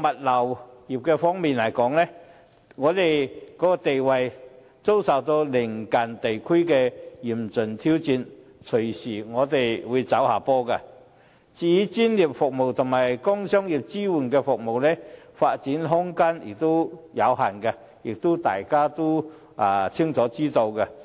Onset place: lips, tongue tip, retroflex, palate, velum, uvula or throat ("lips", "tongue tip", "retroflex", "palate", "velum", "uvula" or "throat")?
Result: lips